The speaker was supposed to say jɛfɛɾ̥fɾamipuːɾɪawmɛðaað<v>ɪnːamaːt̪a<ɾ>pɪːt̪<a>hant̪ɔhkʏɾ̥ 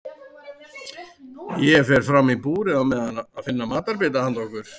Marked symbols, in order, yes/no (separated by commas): no, yes, yes